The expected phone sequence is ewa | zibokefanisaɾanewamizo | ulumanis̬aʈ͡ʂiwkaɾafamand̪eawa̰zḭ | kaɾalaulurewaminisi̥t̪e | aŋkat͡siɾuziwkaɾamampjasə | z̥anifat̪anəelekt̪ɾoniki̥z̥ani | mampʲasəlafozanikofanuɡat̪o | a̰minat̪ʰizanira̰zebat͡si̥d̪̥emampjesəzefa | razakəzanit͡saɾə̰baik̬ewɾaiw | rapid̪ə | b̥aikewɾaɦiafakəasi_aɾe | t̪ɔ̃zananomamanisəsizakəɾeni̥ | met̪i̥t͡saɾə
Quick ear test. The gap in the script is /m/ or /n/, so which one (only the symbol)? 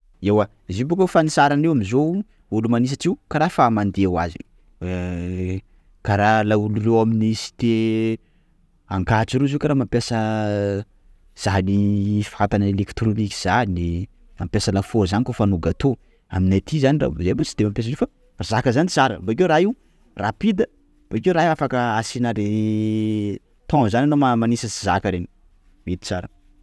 n